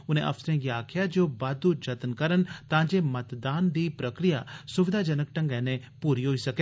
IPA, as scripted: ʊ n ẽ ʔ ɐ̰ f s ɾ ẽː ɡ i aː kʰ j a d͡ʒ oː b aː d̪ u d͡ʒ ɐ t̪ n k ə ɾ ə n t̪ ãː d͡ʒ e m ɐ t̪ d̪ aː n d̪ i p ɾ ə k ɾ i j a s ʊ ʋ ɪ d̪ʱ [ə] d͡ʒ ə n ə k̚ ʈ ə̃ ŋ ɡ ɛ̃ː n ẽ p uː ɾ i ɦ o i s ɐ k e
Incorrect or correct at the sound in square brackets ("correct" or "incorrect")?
incorrect